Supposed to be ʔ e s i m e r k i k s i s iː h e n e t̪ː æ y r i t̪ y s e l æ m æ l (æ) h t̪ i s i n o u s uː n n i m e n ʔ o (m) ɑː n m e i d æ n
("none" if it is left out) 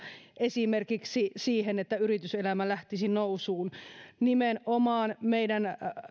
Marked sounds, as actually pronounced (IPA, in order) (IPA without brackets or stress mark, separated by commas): æ, m